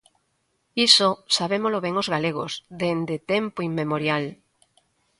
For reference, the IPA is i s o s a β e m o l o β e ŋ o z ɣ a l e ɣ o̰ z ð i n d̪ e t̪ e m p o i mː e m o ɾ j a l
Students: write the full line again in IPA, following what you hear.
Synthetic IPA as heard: i s o s a β e m o l o β e ŋ o z ɣ a l e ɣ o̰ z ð e n d̪ e t̪ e m p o i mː e m o ɾ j a l

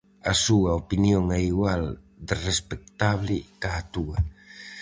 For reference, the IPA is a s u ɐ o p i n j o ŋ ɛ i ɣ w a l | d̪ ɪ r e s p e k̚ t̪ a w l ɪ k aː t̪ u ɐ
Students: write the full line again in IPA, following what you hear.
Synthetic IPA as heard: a s u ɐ o p i n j o ŋ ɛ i ɣ w a l | d̪ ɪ r e s p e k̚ t̪ a β l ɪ k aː t̪ u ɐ

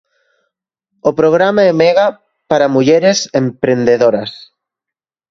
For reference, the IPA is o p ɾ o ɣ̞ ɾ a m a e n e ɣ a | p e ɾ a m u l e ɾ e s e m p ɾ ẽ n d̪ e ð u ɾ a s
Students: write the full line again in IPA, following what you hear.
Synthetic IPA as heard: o p ɾ o ɣ̞ ɾ a m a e m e ɣ a | p a ɾ a m u ʎ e ɾ e s e m p ɾ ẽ n d̪ e ð o ɾ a s

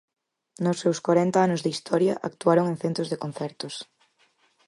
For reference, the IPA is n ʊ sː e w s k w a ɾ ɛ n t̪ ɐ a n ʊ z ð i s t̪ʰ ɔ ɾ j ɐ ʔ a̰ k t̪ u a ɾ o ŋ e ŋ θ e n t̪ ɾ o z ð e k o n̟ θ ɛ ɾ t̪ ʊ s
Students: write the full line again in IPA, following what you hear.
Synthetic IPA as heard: n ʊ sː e w s k w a ɾ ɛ n t̪ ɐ a n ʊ z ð i s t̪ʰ ɔ ɾ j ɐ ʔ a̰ k t̪ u a ɾ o ŋ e ŋ θ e n t̪ ɾ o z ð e k o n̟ θ ɛ ɾ t̪ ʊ s

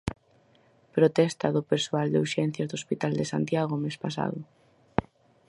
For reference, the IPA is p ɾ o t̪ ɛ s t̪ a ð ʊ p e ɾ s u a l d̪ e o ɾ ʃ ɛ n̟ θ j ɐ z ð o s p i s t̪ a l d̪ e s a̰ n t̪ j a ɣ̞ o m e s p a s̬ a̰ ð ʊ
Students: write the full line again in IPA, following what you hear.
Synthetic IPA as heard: p ɾ o t̪ ɛ s t̪ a ð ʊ p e ɾ s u a l d̪ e u ɾ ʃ ɛ n̟ θ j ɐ z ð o s p i t̪ a l d̪ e s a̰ n t̪ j a ɣ̞ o m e s p a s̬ a̰ ð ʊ

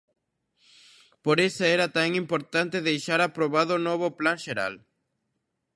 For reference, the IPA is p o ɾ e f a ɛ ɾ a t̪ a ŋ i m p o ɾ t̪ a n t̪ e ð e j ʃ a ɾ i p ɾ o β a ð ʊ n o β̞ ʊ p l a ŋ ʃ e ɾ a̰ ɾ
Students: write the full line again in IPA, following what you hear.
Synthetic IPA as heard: p o ɾ e s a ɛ ɾ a t̪ a ŋ i m p o ɾ t̪ a n t̪ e ð e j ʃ a ɾ a p ɾ o β a ð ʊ n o β̞ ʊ p l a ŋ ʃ e ɾ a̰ l

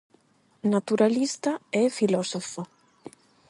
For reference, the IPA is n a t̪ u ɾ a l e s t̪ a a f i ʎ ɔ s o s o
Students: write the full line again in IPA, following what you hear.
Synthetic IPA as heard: n a t̪ u ɾ a l i s t̪ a ɛ f i l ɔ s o f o

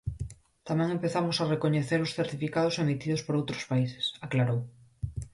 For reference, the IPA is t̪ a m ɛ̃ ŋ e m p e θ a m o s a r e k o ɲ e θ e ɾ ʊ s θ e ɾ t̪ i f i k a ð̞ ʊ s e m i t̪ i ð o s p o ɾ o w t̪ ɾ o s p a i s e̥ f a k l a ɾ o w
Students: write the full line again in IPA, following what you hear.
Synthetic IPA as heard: t̪ a m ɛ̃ ŋ e m p e θ a m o s a r e k o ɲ e θ e ɾ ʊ s θ e ɾ t̪ i f i k a ð̞ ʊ s e m i t̪ i ð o s p o ɾ o w t̪ ɾ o s p a i s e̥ s a k l a ɾ o w

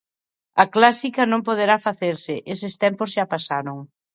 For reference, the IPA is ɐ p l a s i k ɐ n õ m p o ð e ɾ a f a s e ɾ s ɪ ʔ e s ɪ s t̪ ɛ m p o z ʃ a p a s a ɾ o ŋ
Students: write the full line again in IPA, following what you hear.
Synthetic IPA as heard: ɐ k l a s i k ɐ n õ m p o ð e ɾ a f a θ e ɾ s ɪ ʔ e s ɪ s t̪ ɛ m p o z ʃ a p a s a ɾ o ŋ

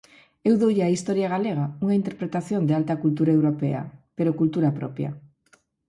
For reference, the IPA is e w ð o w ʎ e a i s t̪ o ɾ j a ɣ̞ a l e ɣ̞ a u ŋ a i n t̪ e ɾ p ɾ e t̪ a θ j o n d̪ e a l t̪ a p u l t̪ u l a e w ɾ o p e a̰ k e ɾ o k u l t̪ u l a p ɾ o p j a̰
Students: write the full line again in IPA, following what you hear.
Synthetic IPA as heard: e w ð o w ʎ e a i s t̪ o ɾ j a ɣ̞ a l e ɣ̞ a u ŋ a i n t̪ e ɾ p ɾ e t̪ a θ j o n d̪ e a l t̪ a k u l t̪ u ɾ a e w ɾ o p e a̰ p e ɾ o k u l t̪ u ɾ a p ɾ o p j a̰

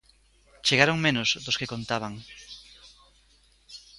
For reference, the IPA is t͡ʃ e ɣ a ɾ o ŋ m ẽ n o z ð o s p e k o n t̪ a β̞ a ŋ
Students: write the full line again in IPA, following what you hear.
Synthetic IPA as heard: t͡ʃ e ɣ a ɾ o ŋ m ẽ n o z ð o s k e k o n t̪ a β̞ a ŋ

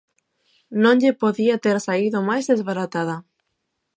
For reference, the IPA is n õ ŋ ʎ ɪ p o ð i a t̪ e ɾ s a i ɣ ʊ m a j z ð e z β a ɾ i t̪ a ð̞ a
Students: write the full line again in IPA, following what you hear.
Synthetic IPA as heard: n õ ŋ ʎ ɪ p o ð i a t̪ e ɾ s a i ð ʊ m a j z ð e z β a ɾ a t̪ a ð̞ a

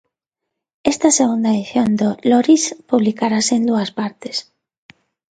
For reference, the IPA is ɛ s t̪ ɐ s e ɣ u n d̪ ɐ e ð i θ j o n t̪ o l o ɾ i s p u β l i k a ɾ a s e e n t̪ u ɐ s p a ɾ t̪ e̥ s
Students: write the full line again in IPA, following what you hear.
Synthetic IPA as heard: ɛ s t̪ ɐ s e ɣ u n d̪ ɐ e ð i θ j o n d̪ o l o ɾ i s p u β l i k a ɾ a s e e n d̪ u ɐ s p a ɾ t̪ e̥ s

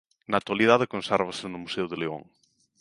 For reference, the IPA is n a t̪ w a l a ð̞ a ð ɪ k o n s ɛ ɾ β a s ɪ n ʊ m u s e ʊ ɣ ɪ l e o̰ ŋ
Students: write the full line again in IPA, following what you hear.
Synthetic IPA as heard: n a t̪ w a l i ð̞ a ð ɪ k o n s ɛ ɾ β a s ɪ n ʊ m u s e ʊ ð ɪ l e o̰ ŋ

